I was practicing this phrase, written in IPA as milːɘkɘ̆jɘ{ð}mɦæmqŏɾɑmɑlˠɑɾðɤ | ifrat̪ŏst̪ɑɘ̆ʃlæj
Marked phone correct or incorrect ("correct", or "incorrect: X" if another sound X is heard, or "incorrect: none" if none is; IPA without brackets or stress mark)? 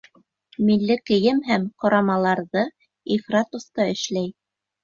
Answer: incorrect: none